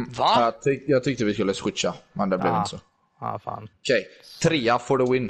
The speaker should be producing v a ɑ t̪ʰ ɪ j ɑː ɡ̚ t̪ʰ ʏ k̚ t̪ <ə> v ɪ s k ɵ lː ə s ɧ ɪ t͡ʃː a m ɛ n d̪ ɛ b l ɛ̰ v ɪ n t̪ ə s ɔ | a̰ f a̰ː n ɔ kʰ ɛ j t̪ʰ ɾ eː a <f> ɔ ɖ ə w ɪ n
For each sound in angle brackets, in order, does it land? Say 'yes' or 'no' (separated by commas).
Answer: yes, yes